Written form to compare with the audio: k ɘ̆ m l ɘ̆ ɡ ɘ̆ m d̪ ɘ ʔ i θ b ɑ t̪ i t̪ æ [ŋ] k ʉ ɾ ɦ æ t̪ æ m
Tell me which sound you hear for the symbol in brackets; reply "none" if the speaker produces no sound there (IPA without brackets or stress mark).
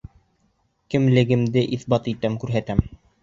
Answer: m